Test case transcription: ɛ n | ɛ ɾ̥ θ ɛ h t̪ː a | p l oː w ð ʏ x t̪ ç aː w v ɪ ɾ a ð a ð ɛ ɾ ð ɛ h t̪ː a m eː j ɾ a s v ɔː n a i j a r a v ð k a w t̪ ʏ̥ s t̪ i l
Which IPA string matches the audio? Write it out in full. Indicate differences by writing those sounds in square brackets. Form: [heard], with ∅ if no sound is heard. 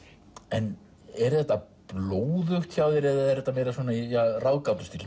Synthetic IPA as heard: ɛ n | ɛ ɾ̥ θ ɛ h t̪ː a | p l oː w ð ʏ x t̪ ç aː w [ð] ɪ ɾ [ɛ] ð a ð ɛ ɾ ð ɛ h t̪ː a m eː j ɾ a s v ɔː n a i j a r a [w] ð k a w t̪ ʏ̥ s t̪ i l